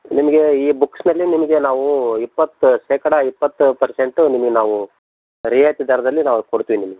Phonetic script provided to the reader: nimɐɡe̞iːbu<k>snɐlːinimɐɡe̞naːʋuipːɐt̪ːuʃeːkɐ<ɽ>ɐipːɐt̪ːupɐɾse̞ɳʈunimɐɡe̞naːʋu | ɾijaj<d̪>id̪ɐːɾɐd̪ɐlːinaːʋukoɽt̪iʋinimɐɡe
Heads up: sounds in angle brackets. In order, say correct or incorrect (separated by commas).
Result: correct, correct, incorrect